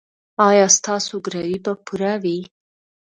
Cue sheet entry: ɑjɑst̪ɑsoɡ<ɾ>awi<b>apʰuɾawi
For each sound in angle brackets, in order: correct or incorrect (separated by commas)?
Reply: correct, correct